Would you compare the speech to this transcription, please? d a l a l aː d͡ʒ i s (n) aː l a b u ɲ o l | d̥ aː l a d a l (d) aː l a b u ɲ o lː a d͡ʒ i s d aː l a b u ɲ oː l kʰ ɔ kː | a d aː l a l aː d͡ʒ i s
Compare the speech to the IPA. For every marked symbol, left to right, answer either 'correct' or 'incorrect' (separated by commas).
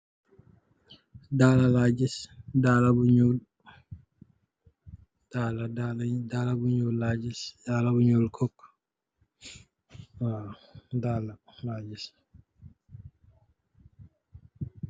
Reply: incorrect, correct